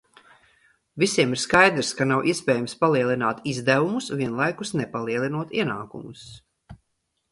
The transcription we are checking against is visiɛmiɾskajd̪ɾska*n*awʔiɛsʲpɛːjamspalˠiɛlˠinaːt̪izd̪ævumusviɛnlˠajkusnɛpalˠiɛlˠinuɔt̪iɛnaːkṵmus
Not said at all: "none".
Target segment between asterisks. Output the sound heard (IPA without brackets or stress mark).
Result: n